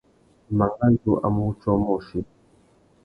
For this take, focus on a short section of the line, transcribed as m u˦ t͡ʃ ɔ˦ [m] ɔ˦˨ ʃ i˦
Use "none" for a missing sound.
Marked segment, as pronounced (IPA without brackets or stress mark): m